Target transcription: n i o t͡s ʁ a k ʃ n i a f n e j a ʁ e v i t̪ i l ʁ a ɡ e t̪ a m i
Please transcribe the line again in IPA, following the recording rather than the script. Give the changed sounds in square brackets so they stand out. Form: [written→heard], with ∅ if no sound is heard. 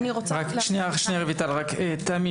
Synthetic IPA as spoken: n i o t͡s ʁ a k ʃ n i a [f→ʃ] n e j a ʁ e v i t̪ [i→a] l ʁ a [ɡ→k] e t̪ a m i